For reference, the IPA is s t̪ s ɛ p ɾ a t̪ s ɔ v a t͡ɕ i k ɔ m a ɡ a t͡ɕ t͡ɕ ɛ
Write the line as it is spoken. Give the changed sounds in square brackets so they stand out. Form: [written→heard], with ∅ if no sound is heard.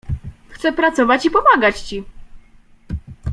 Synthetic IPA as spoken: [s→x] t̪ s ɛ p ɾ a t̪ s ɔ v a t͡ɕ i [k→p] ɔ m a ɡ a t͡ɕ t͡ɕ [ɛ→i]